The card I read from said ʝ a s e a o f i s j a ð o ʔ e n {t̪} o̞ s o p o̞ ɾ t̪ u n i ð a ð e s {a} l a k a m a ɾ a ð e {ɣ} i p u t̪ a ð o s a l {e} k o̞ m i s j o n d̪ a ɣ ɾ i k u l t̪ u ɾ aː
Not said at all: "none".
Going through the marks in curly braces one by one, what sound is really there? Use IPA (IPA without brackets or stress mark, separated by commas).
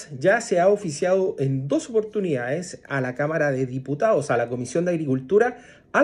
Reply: d̪, a, ð, a